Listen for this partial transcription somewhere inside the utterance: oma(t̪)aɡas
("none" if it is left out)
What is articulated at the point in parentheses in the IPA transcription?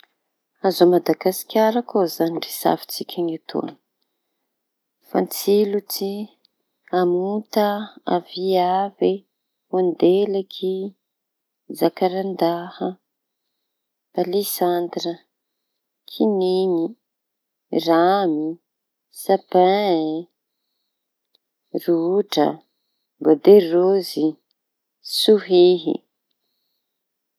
d̪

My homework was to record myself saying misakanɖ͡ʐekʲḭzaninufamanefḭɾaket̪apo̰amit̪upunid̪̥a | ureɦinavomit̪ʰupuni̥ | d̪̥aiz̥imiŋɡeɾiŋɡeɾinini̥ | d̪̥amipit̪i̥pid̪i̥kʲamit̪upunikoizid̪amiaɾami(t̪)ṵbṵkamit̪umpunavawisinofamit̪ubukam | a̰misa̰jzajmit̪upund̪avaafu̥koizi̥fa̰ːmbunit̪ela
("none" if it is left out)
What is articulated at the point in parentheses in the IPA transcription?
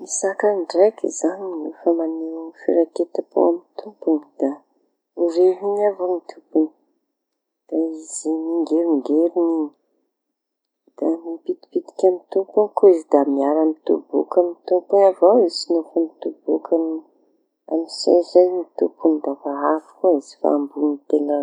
t̪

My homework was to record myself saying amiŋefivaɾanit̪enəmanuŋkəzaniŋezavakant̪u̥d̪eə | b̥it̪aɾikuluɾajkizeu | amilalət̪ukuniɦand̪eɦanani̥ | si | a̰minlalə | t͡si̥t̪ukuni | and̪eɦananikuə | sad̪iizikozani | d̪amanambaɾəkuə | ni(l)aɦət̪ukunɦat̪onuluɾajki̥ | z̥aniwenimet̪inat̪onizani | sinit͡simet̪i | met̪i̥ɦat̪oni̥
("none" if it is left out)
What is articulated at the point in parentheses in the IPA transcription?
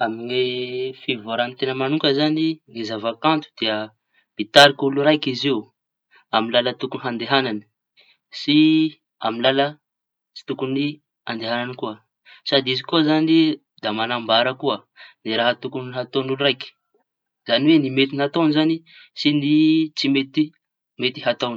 ɾ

